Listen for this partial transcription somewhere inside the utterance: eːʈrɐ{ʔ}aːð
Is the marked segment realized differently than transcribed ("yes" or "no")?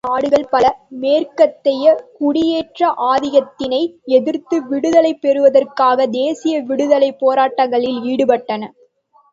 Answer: no